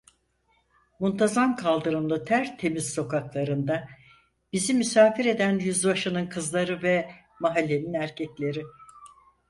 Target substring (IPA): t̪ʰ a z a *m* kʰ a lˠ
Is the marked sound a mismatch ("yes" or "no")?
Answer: no